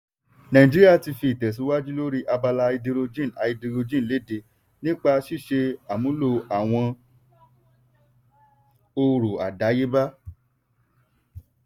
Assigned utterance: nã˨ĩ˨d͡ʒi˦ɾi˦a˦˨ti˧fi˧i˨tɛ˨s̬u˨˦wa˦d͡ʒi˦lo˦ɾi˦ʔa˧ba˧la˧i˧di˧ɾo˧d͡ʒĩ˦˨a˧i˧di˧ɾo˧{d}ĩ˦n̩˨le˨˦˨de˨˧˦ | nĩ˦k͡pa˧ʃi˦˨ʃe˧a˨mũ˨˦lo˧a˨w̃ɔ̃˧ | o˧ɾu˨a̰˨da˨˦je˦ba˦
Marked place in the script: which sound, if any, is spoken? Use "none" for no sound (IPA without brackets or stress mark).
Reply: d͡ʒ